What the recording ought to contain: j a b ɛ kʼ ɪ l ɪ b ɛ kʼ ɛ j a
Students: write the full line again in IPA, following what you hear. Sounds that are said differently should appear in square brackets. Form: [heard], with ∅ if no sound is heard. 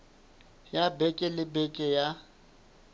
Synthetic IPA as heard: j a b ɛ kʼ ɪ l ɪ b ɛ kʼ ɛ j a